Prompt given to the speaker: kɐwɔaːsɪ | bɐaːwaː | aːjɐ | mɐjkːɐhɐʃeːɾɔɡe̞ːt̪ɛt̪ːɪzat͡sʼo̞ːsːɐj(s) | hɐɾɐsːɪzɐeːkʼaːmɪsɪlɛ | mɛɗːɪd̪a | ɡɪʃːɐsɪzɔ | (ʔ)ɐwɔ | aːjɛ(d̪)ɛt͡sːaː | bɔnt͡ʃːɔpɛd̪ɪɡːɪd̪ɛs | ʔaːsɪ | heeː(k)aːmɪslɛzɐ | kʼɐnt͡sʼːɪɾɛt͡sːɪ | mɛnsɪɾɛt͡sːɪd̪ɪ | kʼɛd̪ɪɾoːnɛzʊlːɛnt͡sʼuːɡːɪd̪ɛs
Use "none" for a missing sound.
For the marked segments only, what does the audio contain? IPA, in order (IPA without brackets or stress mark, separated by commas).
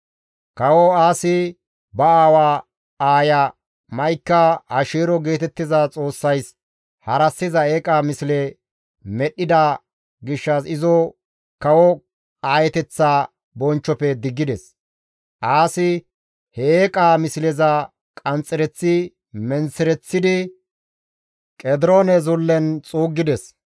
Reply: s, k, t̪, kʼ